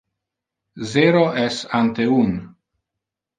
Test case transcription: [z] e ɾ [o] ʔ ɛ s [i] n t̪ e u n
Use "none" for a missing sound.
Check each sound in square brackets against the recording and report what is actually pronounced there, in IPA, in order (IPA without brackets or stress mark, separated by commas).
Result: z, o, a